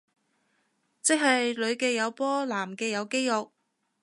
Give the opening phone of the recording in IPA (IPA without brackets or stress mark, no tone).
t͡s